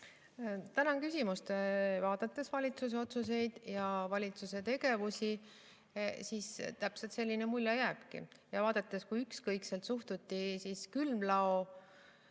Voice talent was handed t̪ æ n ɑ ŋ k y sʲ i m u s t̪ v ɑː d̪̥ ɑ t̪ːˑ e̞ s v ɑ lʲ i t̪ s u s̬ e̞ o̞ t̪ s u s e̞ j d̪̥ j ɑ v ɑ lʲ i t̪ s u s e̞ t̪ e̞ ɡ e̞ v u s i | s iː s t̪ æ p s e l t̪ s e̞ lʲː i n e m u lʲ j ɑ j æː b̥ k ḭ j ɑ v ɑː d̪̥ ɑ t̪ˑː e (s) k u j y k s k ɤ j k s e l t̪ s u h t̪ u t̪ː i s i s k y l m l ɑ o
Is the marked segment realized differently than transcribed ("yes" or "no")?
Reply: no